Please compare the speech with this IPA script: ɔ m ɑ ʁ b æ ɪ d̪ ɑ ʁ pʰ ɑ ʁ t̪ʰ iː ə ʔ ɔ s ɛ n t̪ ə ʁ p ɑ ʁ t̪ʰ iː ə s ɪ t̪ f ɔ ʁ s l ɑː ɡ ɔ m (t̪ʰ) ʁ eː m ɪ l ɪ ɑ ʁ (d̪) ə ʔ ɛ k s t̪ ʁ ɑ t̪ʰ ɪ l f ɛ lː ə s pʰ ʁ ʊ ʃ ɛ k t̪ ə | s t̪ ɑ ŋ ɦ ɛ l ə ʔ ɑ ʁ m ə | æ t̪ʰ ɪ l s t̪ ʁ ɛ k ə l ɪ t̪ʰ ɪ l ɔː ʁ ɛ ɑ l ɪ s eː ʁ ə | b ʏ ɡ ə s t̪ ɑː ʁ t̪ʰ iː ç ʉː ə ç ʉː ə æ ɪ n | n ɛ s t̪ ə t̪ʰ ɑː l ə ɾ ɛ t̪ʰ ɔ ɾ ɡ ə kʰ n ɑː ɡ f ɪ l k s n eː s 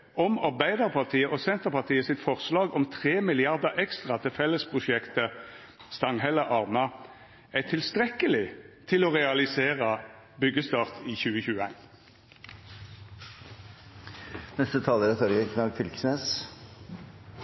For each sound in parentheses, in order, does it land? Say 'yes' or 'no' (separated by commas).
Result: yes, yes